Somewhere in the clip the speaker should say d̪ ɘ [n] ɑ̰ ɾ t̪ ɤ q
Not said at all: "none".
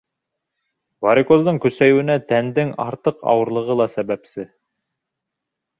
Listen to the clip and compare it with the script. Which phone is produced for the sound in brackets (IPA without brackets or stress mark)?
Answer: ŋ